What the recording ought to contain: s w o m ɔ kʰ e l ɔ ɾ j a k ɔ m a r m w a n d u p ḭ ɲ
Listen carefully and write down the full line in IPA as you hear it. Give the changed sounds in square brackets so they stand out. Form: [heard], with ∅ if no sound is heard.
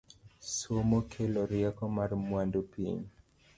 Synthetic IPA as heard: s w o m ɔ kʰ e l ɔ ɾ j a k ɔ m a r m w a n d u p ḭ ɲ